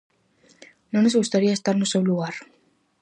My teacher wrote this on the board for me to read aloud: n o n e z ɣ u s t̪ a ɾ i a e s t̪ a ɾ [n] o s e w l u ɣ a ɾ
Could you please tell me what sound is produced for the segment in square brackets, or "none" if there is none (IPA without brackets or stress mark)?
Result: n